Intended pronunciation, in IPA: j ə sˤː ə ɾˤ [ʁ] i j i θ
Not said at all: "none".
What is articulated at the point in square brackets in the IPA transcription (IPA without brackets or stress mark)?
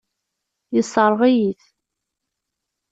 ʁ